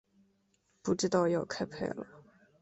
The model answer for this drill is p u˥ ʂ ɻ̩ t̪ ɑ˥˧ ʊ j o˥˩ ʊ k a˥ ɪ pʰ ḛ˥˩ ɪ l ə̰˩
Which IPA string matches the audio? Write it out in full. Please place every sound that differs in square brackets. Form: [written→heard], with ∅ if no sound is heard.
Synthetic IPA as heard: p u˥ [ʂ→ʈ͡ʂ] ɻ̩ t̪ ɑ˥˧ ʊ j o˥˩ ʊ [k→kʰ] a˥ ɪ pʰ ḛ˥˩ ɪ l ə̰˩